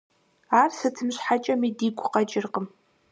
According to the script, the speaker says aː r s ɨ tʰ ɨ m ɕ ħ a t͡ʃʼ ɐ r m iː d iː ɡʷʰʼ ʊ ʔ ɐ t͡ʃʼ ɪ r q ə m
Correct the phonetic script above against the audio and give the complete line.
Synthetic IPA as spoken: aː r s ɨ tʰ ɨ m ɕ ħ a t͡ʃʼ ɐ m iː d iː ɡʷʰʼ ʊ q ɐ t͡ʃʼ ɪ r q ə m